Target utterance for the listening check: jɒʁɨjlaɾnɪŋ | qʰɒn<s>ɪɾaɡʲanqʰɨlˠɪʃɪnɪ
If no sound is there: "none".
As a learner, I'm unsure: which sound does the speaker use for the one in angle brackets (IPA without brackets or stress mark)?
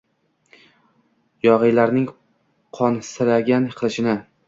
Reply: s